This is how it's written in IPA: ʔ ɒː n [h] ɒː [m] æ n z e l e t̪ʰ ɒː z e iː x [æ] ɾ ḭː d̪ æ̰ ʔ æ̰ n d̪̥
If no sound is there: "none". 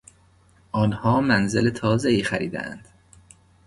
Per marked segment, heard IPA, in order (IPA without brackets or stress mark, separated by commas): h, m, æ